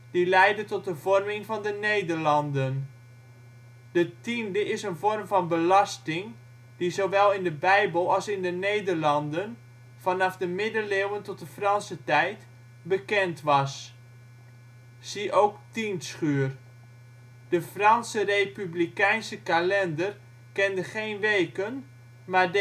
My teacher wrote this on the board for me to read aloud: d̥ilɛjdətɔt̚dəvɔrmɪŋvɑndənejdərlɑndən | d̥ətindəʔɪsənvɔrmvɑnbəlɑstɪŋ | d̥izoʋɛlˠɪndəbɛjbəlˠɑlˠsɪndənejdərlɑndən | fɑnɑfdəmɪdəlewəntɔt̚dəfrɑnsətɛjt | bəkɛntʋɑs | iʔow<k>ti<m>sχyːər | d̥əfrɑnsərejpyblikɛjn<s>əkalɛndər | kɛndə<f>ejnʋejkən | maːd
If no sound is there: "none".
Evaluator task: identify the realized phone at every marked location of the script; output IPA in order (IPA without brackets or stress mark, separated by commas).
k, n, s, χ